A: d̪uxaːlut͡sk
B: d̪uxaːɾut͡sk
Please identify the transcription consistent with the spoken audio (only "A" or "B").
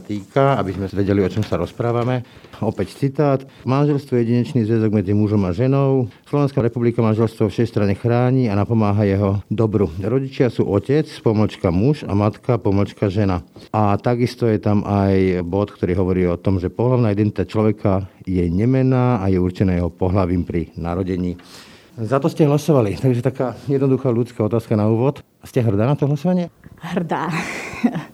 A